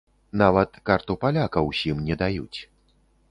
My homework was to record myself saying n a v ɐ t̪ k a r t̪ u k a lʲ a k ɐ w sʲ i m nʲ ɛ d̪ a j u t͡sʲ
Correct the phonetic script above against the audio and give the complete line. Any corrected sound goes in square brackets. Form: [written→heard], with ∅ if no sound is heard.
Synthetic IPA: n a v ɐ t̪ k a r t̪ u [k→p] a lʲ a k ɐ w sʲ i m nʲ ɛ d̪ a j u t͡sʲ